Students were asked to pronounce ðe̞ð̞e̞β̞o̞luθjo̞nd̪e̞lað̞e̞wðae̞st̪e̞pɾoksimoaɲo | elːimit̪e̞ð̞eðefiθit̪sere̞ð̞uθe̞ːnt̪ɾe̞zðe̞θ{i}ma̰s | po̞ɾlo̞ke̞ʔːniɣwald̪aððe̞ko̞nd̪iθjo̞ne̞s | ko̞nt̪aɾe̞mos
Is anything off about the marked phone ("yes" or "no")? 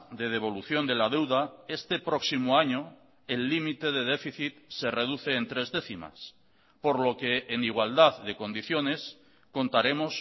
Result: no